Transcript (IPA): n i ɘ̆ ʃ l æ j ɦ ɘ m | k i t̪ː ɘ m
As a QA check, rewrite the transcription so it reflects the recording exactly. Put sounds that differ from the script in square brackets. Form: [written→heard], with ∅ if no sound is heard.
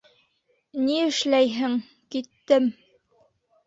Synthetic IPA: n i ɘ̆ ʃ l æ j ɦ ɘ [m→ŋ] | k i t̪ː ɘ m